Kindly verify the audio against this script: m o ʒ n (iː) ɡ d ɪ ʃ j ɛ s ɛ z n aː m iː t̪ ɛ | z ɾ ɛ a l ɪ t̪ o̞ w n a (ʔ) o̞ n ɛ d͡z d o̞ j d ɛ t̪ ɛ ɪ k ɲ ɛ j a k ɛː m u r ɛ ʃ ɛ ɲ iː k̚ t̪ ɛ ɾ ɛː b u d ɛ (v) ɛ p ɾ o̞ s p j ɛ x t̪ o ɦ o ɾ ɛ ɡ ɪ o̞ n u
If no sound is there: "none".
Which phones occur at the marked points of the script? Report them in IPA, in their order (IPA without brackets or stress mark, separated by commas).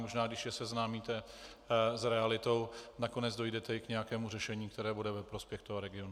aː, k, v